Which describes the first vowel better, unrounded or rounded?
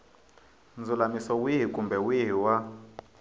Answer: rounded